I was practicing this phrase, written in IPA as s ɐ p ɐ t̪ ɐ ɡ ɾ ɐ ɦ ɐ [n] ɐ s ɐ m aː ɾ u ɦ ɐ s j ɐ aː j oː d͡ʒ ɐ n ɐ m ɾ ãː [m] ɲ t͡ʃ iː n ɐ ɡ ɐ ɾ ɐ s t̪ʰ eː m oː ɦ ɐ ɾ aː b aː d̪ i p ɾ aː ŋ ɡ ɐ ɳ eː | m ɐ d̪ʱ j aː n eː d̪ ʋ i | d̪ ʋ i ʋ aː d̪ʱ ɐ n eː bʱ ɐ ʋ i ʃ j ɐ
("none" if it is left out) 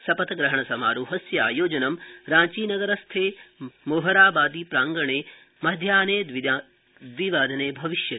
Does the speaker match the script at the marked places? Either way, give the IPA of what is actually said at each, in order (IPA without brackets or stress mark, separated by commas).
ɳ, none